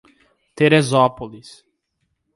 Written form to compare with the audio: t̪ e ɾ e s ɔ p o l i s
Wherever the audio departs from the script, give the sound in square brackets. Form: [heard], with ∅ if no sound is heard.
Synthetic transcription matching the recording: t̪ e ɾ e [z] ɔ p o l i s